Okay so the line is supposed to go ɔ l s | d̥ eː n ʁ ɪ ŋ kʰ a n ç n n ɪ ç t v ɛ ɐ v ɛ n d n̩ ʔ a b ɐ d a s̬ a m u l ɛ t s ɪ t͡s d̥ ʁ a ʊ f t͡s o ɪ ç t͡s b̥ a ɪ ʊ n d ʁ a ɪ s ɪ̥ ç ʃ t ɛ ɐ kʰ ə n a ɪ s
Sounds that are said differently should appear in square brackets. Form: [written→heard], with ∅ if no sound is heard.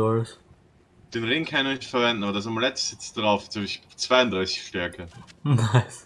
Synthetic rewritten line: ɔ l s | d̥ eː n ʁ ɪ ŋ kʰ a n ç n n ɪ ç t [v→f] ɛ ɐ v ɛ n d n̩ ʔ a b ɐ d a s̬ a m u l ɛ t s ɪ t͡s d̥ ʁ a ʊ f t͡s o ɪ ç t͡s [b̥→v̥] a ɪ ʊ n d ʁ a ɪ s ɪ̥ ç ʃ t ɛ ɐ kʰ ə n a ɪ s